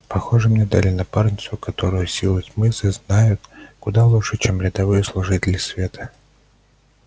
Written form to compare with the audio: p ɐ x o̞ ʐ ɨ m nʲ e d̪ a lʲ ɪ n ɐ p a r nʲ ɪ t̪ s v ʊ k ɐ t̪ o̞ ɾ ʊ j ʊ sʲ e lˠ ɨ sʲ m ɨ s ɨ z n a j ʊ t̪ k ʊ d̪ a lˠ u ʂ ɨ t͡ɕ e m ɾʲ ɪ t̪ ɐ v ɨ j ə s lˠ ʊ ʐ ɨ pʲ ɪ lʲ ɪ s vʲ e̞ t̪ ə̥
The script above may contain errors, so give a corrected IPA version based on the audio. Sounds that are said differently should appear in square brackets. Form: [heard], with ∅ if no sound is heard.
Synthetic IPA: p ɐ x o̞ ʐ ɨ m nʲ e d̪ a lʲ ɪ n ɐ p a r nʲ ɪ t̪ s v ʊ k ɐ t̪ o̞ ɾ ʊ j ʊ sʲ [i] lˠ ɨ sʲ m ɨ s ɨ z n a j ʊ t̪ k ʊ d̪ a lˠ u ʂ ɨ t͡ɕ e m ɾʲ ɪ [d̪] ɐ v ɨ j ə s lˠ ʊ ʐ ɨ [tʲ] ɪ lʲ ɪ s vʲ e̞ t̪ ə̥